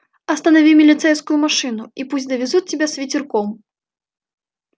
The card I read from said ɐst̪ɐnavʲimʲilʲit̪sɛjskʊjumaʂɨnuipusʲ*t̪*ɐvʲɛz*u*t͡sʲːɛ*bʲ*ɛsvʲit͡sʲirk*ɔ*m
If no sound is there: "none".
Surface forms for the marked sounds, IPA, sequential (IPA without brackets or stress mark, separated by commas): d̪, u, bʲ, ɔ